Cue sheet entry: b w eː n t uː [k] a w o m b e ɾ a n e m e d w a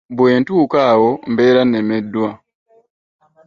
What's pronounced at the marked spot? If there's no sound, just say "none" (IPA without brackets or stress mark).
k